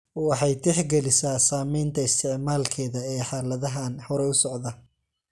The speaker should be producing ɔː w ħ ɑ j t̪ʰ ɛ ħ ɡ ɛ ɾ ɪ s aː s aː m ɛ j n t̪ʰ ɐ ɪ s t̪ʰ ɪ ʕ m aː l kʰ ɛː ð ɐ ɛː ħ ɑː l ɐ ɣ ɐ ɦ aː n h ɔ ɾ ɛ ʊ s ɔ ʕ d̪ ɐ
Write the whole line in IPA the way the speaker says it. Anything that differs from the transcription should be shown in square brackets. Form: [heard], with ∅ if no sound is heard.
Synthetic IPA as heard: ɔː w ħ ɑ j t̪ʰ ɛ ħ ɡ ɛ [l] ɪ s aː s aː m ɛ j n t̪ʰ ɐ ɪ s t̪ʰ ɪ ʕ m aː l kʰ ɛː ð ɐ ɛː ħ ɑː l ɐ [ð] ɐ ɦ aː n h ɔ ɾ ɛ ʊ s ɔ ʕ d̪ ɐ